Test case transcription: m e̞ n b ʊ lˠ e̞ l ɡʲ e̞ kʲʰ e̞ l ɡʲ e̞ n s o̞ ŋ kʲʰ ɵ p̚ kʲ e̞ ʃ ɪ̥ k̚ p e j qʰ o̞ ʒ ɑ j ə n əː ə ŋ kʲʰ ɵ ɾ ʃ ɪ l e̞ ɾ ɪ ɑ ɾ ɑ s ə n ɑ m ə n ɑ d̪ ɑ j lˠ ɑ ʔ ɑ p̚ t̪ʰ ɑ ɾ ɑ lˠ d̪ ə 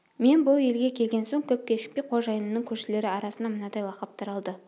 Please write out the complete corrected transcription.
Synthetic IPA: m e̞ n b ʊ lˠ e̞ l ɡʲ e̞ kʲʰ e̞ l ɡʲ e̞ n s o̞ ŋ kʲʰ ɵ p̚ kʲ e̞ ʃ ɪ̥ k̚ p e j qʰ o̞ ʒ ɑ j ə n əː ə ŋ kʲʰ ɵ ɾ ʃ ɪ l e̞ ɾ ɪ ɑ ɾ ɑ s ə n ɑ m ə n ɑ d̪ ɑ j lˠ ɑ q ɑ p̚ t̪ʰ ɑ ɾ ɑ lˠ d̪ ə

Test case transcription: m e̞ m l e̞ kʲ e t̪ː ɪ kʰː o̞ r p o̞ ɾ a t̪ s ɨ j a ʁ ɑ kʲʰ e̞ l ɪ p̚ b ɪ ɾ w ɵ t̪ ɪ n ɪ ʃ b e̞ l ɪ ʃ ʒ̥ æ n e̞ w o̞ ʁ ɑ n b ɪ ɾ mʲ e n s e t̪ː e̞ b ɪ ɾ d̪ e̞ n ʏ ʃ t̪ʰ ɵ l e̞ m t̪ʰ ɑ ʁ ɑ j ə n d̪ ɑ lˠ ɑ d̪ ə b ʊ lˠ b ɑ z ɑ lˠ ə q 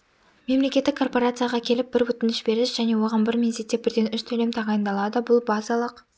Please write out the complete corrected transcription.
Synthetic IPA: m e̞ m l e̞ kʲ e t̪ː ɪ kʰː o̞ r p o̞ ɾ a t̪ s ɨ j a ʁ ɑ kʲʰ e̞ l ɪ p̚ b ɪ ɾ w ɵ t̪ ɪ n ɪ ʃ b e̞ ɾ ɪ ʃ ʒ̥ æ n e̞ w o̞ ʁ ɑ n b ɪ ɾ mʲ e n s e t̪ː e̞ b ɪ ɾ d̪ e̞ n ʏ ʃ t̪ʰ ɵ l e̞ m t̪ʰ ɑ ʁ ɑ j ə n d̪ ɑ lˠ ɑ d̪ ə b ʊ lˠ b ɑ z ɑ lˠ ə q

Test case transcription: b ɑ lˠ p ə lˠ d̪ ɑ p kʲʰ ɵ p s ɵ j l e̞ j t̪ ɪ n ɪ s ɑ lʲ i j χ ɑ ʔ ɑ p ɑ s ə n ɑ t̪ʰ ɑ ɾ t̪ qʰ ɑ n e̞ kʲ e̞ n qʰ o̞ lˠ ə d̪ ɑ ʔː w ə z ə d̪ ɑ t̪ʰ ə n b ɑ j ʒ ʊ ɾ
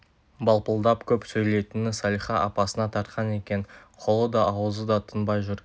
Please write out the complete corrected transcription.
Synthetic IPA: b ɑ lˠ p ə lˠ d̪ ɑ p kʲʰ ɵ p s ɵ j l e̞ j t̪ ɪ n ɪ s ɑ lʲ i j χ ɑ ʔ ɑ p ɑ s ə n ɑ t̪ʰ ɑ ɾ t̪ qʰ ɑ n e̞ kʲ e̞ n qʰ o̞ lˠ ə d̪ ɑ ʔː w ə z ə d̪ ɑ t̪ʰ ə n b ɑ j ʒ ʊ ɾ

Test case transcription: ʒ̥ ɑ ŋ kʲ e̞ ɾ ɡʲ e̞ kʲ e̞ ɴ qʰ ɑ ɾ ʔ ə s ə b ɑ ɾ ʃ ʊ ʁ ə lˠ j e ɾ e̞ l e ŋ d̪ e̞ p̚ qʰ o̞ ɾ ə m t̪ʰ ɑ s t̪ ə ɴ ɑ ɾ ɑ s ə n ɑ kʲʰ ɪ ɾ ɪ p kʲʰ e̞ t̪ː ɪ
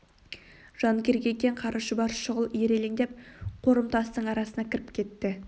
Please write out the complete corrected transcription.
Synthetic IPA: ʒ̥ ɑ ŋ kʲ e̞ ɾ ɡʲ e̞ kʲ e̞ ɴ qʰ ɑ ɾ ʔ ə ʃ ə b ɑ ɾ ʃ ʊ ʁ ə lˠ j e ɾ e̞ l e ŋ d̪ e̞ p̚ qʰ o̞ ɾ ə m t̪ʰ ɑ s t̪ ə ɴ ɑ ɾ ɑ s ə n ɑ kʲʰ ɪ ɾ ɪ p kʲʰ e̞ t̪ː ɪ

